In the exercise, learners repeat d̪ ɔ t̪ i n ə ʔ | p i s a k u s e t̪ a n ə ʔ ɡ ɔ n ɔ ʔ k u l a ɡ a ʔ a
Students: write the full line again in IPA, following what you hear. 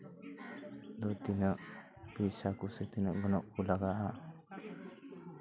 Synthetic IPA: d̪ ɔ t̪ i n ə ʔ | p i s a k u s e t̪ i n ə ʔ ɡ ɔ n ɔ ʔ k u l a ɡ a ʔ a